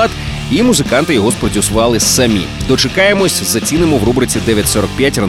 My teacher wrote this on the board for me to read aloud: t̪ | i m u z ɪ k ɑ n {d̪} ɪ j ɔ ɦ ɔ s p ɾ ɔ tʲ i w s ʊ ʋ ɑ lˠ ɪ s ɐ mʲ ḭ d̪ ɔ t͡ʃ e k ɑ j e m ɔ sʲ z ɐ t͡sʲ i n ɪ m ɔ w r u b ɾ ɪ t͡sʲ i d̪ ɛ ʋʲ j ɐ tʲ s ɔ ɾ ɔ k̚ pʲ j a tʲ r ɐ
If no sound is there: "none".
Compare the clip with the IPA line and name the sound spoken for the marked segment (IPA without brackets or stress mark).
t̪